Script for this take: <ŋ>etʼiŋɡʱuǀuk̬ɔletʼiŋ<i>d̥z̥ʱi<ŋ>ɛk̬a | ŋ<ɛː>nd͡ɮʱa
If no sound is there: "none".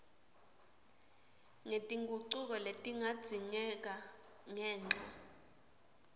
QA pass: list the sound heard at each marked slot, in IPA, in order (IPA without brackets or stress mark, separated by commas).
ŋ, a, ɲ, ɛː